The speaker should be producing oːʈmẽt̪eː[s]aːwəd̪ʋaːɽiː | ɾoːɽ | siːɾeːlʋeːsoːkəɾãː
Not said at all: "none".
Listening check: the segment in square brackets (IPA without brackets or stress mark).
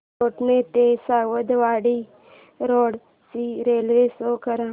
s